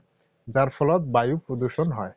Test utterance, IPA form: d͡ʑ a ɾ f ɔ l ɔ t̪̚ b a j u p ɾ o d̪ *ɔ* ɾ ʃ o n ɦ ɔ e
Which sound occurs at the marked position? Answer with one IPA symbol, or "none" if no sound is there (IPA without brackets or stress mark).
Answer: u